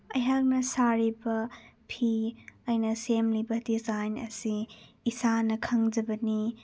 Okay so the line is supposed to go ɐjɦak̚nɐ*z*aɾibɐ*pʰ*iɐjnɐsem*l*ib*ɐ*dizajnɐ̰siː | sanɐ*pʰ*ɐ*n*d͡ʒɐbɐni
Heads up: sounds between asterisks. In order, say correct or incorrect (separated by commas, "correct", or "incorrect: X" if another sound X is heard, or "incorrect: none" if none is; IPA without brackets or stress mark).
incorrect: s, correct, correct, correct, incorrect: kʰ, incorrect: ŋ